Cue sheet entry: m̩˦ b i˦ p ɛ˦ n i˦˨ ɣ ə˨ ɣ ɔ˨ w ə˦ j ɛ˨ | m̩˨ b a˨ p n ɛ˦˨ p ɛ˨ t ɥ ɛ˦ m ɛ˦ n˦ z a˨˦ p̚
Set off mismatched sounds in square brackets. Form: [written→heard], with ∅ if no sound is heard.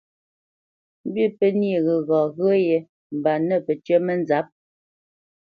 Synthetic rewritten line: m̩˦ b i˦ p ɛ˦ n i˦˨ ɣ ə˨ ɣ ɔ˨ [w→ɣ] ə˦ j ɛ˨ | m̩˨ b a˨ [p→∅] n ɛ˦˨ p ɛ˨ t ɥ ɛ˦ m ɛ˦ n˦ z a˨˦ p̚